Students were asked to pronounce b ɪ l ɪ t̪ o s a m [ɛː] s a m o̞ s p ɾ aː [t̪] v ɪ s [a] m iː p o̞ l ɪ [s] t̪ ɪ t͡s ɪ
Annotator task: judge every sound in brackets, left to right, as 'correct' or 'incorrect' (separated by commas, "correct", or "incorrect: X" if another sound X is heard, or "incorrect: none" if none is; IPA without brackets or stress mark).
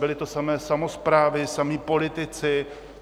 correct, incorrect: none, correct, incorrect: none